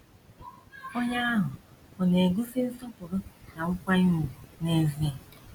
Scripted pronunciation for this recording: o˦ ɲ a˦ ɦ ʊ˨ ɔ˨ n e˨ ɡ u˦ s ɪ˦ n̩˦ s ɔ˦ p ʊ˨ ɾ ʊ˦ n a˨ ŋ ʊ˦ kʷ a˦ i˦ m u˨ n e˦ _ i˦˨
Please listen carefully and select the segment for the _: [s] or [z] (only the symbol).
z